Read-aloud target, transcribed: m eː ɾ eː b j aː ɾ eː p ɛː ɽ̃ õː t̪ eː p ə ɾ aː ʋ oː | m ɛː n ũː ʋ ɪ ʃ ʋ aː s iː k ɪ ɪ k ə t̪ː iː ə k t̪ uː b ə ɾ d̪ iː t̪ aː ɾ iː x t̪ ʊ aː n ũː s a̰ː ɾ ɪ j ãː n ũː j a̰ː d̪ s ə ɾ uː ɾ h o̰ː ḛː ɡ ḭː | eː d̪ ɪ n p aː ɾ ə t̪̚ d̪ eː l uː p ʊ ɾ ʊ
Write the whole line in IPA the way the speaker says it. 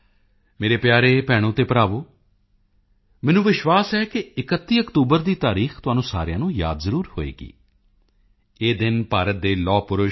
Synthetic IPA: m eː ɾ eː p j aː ɾ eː p ɛː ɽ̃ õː t̪ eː p ə ɾ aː ʋ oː | m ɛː n ũː ʋ ɪ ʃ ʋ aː s ɛː k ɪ ɪ k ə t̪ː iː ə k t̪ uː b ə ɾ d̪ iː t̪ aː ɾ iː x t̪ ʊ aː n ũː s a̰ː ɾ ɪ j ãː n ũː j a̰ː d̪ z ə ɾ uː ɾ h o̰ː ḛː ɡ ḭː | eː d̪ ɪ n p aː ɾ ə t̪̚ d̪ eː l ɔː p ʊ ɾ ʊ